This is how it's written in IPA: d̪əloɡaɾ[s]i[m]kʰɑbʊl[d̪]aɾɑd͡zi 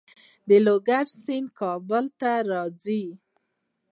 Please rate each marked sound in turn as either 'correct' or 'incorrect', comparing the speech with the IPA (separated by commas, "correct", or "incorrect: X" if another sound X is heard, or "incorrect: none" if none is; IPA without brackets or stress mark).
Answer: correct, incorrect: n, incorrect: t̪